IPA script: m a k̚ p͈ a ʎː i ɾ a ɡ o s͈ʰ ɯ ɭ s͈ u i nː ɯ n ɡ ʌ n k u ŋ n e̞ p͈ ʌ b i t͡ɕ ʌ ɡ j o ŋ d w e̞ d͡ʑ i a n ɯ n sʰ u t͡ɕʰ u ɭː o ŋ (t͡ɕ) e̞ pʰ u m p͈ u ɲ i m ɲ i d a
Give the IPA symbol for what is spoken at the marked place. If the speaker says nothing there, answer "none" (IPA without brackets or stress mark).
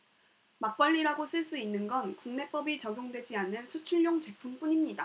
t͡ɕ